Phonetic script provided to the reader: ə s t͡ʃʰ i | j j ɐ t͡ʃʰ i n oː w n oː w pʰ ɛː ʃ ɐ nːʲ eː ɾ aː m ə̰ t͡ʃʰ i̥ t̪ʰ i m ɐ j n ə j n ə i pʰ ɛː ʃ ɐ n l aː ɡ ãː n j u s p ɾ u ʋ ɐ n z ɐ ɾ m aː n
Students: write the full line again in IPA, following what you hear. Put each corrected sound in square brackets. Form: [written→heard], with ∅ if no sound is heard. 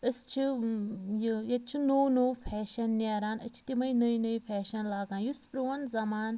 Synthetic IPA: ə s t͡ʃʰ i | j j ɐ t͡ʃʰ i n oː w n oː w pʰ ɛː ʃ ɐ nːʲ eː ɾ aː [m→n] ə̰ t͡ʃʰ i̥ [t̪ʰ→t̪] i m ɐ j n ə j n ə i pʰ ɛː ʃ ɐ n l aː ɡ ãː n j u s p ɾ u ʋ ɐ n z ɐ [ɾ→∅] m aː n

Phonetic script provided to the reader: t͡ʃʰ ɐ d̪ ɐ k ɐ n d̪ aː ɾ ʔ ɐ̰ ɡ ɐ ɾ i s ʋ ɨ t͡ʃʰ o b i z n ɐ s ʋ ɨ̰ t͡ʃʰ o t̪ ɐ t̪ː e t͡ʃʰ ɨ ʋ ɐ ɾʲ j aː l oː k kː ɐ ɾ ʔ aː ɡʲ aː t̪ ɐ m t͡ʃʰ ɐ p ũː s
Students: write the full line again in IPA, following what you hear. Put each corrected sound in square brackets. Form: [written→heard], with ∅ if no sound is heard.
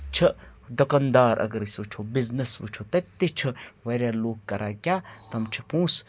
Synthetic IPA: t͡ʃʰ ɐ d̪ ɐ k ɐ n d̪ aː ɾ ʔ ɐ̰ ɡ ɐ ɾ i s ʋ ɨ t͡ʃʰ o b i z n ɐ s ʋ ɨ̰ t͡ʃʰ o t̪ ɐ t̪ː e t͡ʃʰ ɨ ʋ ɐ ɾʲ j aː l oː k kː ɐ ɾ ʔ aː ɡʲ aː t̪ ɐ m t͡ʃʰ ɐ p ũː s

